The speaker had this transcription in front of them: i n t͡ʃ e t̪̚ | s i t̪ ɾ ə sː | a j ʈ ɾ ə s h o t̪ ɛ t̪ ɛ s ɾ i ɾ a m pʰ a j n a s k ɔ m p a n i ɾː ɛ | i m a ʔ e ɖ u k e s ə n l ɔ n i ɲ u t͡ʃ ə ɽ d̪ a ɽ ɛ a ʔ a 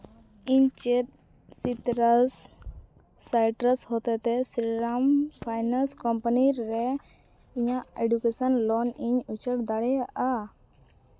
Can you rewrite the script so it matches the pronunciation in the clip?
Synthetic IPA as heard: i ɲ t͡ʃ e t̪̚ | s i t̪ ɾ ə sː | a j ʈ ɾ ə s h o t̪ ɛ t̪ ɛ s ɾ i ɾ a m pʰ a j n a s k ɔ m p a n i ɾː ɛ | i ɲ a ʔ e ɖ u k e s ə n l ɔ n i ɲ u t͡ʃ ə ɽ d̪ a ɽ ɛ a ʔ a